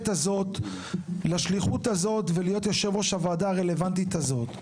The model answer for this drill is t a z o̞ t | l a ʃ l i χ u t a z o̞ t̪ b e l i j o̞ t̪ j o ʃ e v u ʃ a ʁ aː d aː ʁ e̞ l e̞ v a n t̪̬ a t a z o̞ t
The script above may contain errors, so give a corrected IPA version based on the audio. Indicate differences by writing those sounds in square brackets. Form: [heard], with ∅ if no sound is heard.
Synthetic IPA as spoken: t a z o̞ t | l a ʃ l i χ u t a z o̞ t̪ [v] e l i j o̞ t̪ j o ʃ e v [o] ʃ a [v] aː d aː ʁ e̞ l e̞ v a n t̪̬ [i] t a z o̞ t